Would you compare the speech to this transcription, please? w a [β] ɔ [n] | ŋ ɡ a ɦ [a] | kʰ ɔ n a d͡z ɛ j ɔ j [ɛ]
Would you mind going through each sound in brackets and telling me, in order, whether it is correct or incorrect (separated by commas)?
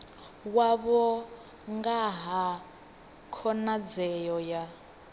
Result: correct, incorrect, correct, incorrect